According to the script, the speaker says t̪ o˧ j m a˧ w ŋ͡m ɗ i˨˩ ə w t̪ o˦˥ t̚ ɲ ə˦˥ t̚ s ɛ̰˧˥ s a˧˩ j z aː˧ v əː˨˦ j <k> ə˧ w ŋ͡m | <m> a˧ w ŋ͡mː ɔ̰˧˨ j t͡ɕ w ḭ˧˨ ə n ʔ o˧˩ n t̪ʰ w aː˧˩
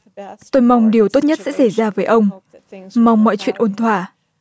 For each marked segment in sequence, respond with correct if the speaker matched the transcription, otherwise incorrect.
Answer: incorrect, correct

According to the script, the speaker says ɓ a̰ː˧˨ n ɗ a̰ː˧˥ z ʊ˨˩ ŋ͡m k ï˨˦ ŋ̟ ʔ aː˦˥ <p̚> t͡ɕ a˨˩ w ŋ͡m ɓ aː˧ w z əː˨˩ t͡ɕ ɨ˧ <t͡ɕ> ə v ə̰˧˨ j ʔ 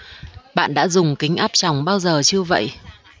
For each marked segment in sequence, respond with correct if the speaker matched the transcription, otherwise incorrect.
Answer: correct, incorrect

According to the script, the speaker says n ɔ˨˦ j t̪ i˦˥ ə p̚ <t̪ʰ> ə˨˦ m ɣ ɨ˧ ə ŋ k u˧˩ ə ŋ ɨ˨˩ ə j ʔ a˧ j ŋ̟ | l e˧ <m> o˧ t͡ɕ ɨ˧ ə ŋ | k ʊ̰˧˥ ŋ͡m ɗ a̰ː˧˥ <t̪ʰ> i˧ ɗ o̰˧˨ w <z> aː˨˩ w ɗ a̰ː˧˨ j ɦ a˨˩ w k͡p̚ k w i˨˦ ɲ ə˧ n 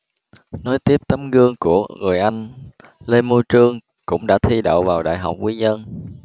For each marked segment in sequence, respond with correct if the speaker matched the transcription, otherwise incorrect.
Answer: incorrect, correct, correct, incorrect

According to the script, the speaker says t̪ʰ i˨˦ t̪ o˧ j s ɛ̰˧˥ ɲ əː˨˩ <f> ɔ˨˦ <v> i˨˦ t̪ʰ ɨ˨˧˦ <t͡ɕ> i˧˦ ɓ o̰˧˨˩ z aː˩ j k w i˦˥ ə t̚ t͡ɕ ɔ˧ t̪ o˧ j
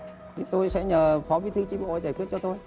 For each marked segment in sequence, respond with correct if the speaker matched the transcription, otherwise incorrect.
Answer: correct, correct, correct

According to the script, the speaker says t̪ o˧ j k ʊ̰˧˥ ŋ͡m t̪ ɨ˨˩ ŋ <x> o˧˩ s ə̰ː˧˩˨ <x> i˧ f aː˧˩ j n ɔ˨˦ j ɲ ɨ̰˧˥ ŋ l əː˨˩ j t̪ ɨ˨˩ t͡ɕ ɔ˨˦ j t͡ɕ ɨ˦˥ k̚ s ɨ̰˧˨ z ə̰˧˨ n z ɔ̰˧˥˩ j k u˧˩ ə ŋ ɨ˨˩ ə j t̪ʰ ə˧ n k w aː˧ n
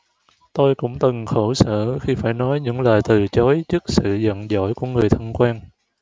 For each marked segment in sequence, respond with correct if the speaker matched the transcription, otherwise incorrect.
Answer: correct, correct

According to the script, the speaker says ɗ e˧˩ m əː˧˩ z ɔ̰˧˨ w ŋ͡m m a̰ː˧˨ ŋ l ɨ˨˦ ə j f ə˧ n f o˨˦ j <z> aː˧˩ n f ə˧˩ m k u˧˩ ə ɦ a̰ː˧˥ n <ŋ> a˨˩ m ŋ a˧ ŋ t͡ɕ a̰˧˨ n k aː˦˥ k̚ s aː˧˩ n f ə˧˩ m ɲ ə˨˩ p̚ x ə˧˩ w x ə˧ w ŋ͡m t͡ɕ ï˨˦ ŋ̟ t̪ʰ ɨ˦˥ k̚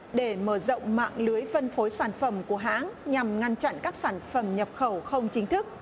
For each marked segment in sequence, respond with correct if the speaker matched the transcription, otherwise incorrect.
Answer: incorrect, incorrect

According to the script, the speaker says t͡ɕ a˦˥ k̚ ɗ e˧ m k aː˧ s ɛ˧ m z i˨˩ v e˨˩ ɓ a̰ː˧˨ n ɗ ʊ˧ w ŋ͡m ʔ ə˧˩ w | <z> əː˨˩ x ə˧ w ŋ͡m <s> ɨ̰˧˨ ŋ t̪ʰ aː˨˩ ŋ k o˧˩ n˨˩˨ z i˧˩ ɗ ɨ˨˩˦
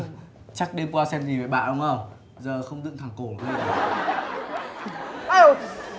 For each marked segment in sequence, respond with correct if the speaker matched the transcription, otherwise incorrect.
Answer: correct, incorrect

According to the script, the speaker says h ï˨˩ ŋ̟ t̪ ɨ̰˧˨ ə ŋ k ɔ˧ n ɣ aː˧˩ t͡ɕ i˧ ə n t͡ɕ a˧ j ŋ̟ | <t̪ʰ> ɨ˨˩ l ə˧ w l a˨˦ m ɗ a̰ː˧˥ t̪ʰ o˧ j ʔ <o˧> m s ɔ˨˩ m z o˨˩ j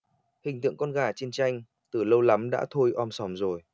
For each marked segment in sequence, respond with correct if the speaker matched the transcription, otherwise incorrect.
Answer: incorrect, incorrect

